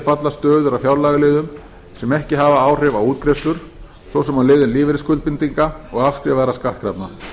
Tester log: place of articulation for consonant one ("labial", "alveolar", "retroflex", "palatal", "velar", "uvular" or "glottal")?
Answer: labial